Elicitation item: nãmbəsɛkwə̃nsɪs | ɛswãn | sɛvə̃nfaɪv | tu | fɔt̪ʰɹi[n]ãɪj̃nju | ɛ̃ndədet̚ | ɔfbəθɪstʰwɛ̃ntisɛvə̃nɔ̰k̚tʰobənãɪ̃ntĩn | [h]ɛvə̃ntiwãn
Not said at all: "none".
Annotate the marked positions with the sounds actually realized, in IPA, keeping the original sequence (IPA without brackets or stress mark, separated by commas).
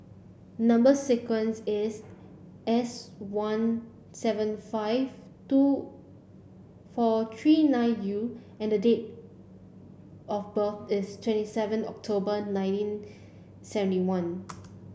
n, s